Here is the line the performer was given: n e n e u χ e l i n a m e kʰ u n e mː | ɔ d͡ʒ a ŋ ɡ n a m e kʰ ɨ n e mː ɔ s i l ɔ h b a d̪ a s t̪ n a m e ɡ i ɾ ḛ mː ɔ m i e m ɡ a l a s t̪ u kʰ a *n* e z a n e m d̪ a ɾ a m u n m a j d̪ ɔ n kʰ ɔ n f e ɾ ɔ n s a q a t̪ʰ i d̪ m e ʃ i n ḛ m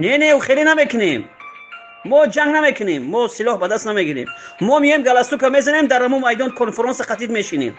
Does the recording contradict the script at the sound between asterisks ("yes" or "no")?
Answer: yes